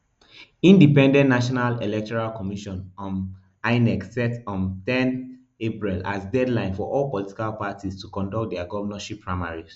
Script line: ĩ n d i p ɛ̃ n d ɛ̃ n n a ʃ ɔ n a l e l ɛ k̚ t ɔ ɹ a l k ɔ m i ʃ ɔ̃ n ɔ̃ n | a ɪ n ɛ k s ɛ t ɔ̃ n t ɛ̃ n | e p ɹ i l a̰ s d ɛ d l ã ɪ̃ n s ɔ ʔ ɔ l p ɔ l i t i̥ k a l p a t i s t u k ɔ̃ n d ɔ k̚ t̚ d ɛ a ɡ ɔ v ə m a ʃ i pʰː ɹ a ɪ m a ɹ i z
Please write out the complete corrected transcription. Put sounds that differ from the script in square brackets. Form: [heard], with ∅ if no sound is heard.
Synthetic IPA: ĩ n d i p ɛ̃ n d ɛ̃ n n a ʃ ɔ n a l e l ɛ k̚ t ɔ ɹ a l k ɔ m i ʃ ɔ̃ n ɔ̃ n | a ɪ n ɛ k s ɛ t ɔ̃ n t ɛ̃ n | e p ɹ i l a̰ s d ɛ d l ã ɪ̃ n [f] ɔ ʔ ɔ l p ɔ l i t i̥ k a l p a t i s t u k ɔ̃ n d ɔ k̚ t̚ d ɛ a ɡ ɔ v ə [n] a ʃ i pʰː ɹ a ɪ m a ɹ i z